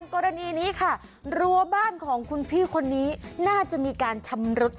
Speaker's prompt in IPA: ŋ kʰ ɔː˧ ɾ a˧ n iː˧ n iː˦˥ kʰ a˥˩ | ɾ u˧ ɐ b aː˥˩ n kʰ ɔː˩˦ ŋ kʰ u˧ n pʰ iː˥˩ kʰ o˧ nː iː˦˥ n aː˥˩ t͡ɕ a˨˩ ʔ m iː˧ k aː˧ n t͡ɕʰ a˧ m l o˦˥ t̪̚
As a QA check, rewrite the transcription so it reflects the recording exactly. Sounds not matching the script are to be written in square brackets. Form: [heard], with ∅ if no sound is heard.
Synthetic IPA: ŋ [k] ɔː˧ ɾ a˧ n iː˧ n iː˦˥ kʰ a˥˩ | ɾ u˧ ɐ b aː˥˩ n kʰ ɔː˩˦ ŋ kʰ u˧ n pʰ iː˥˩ kʰ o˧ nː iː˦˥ n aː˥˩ t͡ɕ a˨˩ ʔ m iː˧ k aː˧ n t͡ɕʰ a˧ m [ɾ] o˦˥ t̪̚